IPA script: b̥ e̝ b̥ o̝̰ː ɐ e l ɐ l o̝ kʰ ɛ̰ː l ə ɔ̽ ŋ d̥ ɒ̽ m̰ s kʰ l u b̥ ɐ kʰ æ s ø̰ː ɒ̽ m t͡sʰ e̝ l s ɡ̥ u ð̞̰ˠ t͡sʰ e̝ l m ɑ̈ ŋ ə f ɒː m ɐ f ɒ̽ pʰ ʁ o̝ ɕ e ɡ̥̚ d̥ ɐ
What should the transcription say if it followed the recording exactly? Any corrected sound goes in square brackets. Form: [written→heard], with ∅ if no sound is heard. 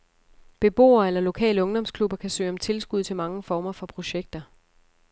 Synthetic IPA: b̥ e̝ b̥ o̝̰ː ɐ e l ɐ l o̝ kʰ ɛ̰ː l ə ɔ̽ ŋ d̥ ɒ̽ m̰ s kʰ l u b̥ ɐ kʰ æ s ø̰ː ɒ̽ m t͡sʰ e̝ l s ɡ̥ u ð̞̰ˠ t͡sʰ e̝ l m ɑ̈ ŋ ə f ɒː m ɐ f ɒ̽ pʰ ʁ o̝ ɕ e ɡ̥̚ d̥ ɐ